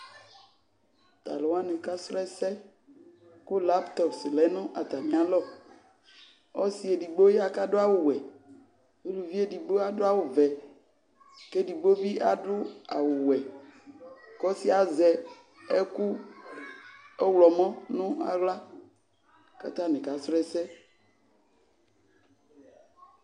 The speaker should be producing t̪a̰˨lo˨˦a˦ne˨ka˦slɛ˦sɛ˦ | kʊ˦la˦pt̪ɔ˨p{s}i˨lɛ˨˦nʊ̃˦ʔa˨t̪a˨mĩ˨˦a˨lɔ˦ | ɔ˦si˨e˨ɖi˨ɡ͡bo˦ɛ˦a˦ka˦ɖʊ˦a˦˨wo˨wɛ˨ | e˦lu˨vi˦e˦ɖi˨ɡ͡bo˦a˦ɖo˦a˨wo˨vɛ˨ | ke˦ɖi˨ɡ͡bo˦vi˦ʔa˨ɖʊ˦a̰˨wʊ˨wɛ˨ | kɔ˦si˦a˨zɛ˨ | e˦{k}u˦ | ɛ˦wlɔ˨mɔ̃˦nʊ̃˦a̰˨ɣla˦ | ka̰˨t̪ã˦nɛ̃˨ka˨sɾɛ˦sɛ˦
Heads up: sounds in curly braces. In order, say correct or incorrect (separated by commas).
correct, correct